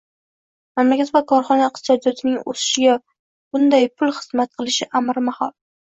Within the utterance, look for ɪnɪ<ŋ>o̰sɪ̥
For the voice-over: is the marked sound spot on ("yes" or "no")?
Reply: yes